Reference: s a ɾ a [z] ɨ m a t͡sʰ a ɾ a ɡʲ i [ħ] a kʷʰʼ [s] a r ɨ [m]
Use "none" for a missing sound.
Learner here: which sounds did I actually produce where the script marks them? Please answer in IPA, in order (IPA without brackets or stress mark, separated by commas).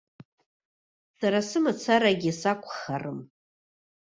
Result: s, s, χ, m